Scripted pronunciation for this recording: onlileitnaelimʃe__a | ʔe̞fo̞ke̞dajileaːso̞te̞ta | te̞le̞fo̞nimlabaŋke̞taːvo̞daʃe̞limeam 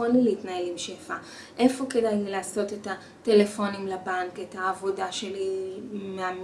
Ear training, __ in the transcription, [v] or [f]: f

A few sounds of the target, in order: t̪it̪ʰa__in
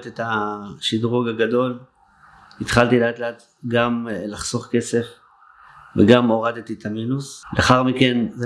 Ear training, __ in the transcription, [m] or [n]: m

